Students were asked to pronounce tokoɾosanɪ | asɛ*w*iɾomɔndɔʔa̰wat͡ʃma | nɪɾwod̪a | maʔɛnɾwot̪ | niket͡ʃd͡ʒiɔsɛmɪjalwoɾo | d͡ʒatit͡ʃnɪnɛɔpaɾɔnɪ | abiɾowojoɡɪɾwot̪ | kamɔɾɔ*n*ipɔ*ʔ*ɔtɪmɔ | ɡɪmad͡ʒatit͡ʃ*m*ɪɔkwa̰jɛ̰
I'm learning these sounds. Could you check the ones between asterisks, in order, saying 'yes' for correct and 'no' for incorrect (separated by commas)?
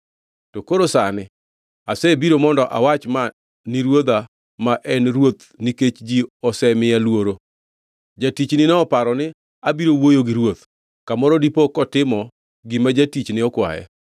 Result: no, no, no, no